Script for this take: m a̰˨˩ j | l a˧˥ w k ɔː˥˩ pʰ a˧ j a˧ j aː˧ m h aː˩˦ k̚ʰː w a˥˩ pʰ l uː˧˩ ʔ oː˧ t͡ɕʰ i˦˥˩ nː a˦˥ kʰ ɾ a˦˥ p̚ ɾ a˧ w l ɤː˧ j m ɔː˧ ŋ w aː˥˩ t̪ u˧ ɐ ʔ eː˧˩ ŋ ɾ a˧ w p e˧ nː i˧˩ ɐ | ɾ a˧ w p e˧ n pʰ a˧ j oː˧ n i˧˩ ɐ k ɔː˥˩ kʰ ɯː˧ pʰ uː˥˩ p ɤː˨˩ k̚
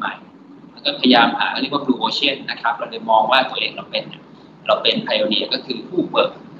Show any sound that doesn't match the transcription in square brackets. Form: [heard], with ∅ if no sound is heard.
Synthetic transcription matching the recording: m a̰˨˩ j | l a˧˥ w k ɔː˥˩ pʰ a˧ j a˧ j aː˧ m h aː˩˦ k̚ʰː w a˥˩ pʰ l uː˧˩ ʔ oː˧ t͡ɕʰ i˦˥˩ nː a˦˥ kʰ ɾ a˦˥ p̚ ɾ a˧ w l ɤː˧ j m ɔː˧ ŋ w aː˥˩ t̪ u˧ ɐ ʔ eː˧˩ ŋ ɾ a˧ w p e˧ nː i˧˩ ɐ | ɾ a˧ w p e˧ n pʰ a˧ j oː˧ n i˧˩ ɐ k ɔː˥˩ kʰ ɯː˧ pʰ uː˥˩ p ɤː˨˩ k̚

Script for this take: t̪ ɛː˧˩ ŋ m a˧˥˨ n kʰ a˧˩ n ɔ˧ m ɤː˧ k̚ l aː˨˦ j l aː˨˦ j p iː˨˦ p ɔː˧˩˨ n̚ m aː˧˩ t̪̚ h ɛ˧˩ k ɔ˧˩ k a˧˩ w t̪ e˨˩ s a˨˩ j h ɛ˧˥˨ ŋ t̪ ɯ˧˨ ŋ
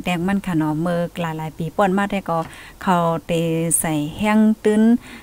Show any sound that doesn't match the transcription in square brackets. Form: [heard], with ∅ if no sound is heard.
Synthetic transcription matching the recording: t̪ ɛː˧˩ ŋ m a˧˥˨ n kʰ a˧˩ n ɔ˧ m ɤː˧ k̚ l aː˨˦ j l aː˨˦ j p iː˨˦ p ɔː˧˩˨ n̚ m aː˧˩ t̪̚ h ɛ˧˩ k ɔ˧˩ [kʰ] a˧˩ w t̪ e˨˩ s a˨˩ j h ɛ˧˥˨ ŋ t̪ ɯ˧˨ [n]

